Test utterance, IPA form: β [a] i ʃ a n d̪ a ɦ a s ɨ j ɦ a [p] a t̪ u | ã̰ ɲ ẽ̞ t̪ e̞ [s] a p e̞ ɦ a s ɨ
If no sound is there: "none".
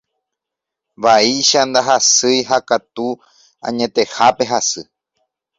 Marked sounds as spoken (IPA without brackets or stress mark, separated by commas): a, k, h